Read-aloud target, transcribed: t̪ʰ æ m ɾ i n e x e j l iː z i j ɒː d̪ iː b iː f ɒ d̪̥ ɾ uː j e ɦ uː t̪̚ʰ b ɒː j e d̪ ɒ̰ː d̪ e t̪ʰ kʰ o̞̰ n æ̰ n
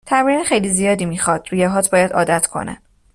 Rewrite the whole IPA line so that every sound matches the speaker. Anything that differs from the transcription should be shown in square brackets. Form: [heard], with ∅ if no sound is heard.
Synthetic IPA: t̪ʰ æ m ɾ i n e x e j l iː z i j ɒː d̪ iː [m] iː [x] ɒ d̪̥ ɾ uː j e ɦ [ɒː] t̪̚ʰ b ɒː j [æ] d̪ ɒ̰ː d̪ [æ] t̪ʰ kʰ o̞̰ n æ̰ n